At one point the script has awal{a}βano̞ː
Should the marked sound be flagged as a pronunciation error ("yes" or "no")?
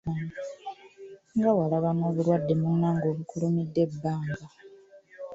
no